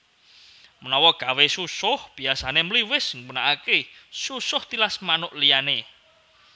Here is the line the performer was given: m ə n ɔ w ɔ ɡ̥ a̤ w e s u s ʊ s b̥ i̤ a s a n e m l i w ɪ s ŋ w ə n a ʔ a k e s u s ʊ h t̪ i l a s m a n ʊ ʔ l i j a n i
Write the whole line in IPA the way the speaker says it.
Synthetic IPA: m ə n ɔ w ɔ ɡ̥ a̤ w e s u s ʊ h b̥ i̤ a s a n e m l i w ɪ s ŋ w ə n a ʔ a k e s u s ʊ h t̪ i l a s m a n ʊ ʔ l i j a n e